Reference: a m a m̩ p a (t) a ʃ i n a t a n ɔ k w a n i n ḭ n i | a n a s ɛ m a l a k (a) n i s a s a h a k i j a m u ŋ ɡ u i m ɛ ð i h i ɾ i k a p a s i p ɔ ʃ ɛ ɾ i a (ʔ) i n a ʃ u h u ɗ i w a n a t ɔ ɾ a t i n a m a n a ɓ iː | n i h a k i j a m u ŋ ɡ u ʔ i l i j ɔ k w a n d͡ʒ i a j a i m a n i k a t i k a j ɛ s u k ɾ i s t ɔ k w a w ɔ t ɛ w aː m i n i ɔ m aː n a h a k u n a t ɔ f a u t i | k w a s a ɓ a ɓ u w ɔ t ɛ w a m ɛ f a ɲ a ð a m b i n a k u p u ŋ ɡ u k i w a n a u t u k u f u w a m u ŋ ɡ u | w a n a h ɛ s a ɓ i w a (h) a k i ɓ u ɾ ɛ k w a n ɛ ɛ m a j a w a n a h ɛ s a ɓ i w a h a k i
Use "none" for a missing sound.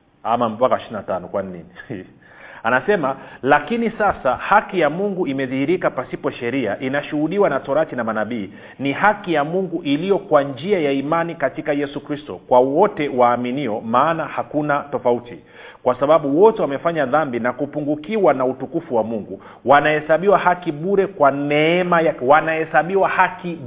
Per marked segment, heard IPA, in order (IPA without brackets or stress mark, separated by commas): k, i, ʔ, h